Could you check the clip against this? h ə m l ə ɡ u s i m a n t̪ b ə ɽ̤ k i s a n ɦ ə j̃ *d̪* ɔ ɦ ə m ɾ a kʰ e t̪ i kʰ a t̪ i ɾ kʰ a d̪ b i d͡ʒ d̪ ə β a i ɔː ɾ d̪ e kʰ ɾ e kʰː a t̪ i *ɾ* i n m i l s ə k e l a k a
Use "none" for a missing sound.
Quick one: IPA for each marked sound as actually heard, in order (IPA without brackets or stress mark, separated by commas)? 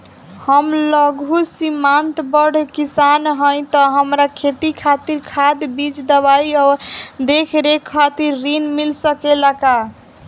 t̪, ɾː